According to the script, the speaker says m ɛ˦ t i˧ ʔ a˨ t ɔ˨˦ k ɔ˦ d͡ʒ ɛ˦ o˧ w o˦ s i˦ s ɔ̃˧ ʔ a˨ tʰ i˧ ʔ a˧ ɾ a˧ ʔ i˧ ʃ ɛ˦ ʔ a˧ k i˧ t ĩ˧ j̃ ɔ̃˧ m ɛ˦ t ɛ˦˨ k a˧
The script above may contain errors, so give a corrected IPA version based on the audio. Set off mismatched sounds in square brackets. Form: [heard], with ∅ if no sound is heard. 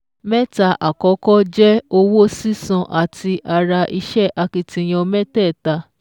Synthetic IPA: m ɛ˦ t [a˧] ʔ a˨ [k] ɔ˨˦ k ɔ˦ d͡ʒ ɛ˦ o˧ w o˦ s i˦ s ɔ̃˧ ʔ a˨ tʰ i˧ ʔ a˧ ɾ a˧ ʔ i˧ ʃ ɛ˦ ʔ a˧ k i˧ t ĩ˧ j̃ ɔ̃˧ m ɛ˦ t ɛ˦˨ [t] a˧